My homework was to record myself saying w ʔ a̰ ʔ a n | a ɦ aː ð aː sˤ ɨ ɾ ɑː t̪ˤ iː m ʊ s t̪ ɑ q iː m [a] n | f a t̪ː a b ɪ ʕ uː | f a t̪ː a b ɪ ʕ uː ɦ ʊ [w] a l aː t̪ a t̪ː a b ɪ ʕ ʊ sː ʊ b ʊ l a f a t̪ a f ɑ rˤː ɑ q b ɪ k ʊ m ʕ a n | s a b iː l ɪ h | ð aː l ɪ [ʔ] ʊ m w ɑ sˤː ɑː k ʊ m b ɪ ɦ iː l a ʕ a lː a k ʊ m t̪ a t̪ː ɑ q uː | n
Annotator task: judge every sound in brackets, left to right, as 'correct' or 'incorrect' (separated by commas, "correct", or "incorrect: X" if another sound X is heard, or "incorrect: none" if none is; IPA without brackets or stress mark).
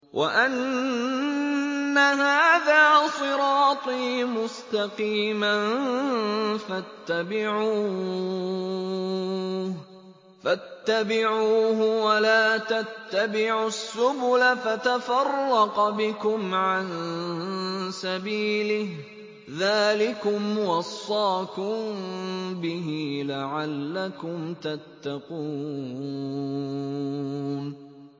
correct, correct, incorrect: k